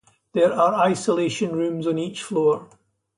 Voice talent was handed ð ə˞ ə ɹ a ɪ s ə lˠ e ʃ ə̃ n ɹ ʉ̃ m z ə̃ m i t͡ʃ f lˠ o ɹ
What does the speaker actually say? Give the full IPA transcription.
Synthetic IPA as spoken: ð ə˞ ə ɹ a ɪ s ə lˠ e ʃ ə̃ n ɹ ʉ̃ m z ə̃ n i t͡ʃ f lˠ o ɹ